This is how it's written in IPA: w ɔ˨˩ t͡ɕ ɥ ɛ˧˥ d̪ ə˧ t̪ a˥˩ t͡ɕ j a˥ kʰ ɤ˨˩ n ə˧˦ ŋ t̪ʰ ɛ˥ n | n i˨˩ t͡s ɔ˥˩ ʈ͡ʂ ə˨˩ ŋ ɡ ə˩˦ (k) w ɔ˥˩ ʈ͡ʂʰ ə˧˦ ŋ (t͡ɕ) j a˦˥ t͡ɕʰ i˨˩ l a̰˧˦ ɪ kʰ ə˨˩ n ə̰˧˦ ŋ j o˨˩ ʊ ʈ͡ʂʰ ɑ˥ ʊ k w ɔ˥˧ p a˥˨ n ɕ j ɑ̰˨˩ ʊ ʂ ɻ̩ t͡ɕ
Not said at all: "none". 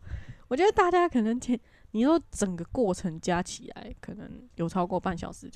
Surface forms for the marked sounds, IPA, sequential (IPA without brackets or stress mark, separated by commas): k, t͡ɕ